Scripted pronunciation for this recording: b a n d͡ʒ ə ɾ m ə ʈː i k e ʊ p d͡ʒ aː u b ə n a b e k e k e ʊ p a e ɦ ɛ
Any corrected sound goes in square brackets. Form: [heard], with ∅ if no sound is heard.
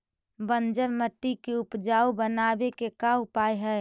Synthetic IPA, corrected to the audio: b [ə] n d͡ʒ ə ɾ m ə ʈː i k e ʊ p d͡ʒ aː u b ə n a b e k e k [a] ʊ p a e ɦ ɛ